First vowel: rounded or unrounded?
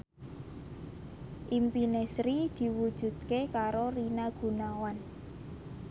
unrounded